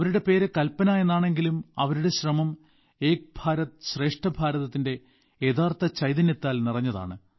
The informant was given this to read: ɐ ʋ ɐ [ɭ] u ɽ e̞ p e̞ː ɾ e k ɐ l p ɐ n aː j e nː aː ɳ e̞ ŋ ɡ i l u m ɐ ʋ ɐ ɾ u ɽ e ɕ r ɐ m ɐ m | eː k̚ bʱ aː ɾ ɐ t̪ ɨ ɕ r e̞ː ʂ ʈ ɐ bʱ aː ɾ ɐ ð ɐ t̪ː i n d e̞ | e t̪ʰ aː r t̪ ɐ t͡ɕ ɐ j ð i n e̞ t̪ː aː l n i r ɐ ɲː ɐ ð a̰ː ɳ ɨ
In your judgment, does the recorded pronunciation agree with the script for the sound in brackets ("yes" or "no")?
no